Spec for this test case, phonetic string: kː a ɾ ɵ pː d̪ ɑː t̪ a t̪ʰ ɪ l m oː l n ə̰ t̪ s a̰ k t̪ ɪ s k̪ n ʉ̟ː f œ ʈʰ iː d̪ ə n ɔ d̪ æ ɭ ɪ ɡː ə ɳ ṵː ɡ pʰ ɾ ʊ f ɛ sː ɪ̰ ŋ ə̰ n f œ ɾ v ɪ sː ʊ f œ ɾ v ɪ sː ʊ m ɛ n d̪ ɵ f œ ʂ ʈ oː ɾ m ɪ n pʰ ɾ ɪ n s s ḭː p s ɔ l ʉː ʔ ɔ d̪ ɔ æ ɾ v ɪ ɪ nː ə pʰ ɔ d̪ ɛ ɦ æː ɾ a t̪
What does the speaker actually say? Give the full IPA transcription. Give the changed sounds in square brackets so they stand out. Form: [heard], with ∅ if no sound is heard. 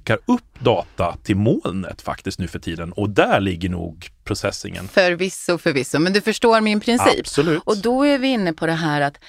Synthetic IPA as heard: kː a ɾ ɵ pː d̪ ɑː t̪ a t̪ʰ ɪ l m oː l n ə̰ t̪ [f] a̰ k t̪ ɪ s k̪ n ʉ̟ː f œ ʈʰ iː d̪ ə n ɔ d̪ æ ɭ ɪ ɡː ə ɳ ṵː ɡ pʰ ɾ ʊ [s] ɛ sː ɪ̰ ŋ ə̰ n f œ ɾ v ɪ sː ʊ f œ ɾ v ɪ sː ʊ m ɛ n d̪ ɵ f œ ʂ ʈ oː ɾ m ɪ n pʰ ɾ ɪ n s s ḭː p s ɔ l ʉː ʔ ɔ d̪ ɔ æ ɾ v ɪ ɪ nː ə pʰ ɔ d̪ ɛ ɦ æː ɾ a t̪